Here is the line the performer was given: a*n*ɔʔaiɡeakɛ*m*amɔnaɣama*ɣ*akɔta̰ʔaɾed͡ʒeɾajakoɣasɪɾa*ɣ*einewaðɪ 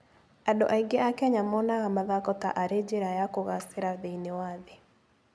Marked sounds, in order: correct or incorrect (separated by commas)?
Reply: incorrect, incorrect, incorrect, incorrect